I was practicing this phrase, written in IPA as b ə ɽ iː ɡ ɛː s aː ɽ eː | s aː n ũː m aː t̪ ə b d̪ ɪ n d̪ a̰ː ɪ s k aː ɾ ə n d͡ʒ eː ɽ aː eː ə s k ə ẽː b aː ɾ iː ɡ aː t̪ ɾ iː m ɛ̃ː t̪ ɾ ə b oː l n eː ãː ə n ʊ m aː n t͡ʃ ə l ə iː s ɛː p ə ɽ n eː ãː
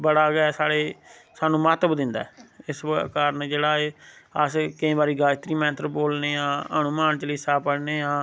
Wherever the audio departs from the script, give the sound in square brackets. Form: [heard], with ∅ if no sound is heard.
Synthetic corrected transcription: b ə ɽ [aː] ɡ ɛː s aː ɽ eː | s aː n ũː m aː t̪ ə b d̪ ɪ n d̪ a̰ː ɪ s k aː ɾ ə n d͡ʒ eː ɽ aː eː ə s k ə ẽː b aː ɾ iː ɡ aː t̪ ɾ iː m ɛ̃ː t̪ ɾ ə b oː l n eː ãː ə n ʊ m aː n t͡ʃ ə l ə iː s [aː] p ə ɽ n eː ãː

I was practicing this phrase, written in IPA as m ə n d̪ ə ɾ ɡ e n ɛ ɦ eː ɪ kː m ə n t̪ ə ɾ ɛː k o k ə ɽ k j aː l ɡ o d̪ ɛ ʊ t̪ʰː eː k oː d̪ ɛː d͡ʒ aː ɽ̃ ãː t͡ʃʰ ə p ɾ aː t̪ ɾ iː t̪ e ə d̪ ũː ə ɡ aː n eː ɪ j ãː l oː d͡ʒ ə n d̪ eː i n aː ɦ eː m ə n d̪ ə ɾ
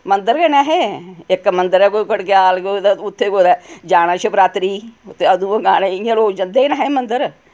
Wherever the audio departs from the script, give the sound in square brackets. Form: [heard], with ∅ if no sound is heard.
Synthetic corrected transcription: m ə n d̪ ə ɾ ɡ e n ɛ ɦ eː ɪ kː m ə n [d̪] ə ɾ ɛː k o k ə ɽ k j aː l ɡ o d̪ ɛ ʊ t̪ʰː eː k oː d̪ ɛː d͡ʒ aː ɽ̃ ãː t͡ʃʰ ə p ɾ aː t̪ ɾ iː t̪ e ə d̪ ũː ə ɡ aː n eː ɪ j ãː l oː d͡ʒ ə n d̪ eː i n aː ɦ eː m ə n d̪ ə ɾ

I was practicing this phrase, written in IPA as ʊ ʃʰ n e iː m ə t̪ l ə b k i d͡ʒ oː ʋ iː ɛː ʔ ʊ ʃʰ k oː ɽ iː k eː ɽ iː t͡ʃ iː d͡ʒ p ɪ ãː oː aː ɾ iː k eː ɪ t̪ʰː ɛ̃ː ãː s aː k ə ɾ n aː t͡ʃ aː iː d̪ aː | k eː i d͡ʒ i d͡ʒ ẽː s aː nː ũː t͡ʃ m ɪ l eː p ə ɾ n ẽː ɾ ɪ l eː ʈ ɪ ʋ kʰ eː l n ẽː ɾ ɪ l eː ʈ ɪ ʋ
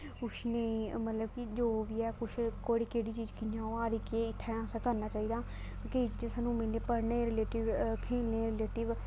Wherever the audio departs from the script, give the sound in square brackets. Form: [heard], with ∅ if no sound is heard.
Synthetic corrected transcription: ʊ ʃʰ n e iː m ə t̪ l ə b k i d͡ʒ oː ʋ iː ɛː [k] ʊ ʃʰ k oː ɽ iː k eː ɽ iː t͡ʃ iː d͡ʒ [k] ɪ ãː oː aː ɾ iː k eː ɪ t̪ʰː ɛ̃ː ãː s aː k ə ɾ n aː t͡ʃ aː iː d̪ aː | k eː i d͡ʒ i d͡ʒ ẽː s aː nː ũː [∅] m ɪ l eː p ə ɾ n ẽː ɾ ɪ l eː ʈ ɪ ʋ kʰ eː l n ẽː ɾ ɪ l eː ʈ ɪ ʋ

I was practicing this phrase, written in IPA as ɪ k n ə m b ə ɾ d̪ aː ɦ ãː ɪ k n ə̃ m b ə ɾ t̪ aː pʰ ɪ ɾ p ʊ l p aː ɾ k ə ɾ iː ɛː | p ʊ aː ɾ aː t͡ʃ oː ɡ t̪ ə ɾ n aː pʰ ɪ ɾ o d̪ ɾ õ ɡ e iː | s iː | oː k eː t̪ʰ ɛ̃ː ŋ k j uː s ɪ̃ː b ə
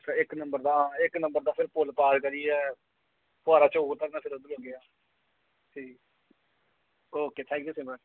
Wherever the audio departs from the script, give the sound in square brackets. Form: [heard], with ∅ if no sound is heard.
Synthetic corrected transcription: ɪ k n ə m b ə ɾ d̪ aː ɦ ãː ɪ k n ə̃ m b ə ɾ [d̪] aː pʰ ɪ ɾ p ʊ l p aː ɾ k ə ɾ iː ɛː | p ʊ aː ɾ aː t͡ʃ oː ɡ t̪ ə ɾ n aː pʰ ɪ ɾ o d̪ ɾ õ ɡ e [aː] | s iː | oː k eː t̪ʰ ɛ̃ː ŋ k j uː s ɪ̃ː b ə

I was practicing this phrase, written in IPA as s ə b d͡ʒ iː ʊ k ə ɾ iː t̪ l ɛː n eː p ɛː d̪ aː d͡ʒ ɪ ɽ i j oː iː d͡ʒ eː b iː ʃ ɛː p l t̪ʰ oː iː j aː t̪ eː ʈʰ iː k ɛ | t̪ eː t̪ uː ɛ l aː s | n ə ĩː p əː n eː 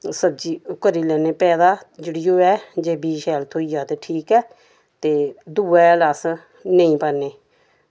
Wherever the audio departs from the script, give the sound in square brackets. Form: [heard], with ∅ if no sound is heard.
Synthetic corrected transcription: s ə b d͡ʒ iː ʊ k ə ɾ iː [∅] l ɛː n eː p ɛː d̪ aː d͡ʒ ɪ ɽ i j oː [ɛː] d͡ʒ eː b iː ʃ ɛː [∅] l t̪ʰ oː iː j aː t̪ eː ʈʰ iː k [ɛː] | t̪ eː [d̪] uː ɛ l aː s | n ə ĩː p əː n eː

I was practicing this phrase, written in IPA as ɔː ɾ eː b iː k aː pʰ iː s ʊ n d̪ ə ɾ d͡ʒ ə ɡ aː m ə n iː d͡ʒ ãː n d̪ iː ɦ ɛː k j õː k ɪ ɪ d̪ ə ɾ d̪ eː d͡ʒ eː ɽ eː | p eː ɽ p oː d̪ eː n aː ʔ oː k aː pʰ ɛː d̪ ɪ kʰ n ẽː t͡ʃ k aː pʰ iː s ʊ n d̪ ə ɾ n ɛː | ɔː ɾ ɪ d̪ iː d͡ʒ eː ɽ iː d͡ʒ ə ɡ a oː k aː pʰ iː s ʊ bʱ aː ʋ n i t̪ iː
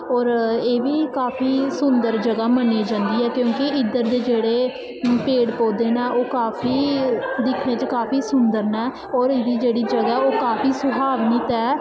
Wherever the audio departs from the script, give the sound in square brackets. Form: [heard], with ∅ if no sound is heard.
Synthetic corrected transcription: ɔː ɾ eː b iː k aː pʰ iː s ʊ n d̪ ə ɾ d͡ʒ ə ɡ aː m ə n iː d͡ʒ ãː n d̪ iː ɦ ɛː k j õː k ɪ ɪ d̪ ə ɾ d̪ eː d͡ʒ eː ɽ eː | p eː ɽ p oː d̪ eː n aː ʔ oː k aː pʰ [iː] d̪ ɪ kʰ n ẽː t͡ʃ k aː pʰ iː s ʊ n d̪ ə ɾ n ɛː | ɔː ɾ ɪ d̪ iː d͡ʒ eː ɽ iː d͡ʒ ə ɡ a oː k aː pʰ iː s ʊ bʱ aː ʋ n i t̪ [ɛː]

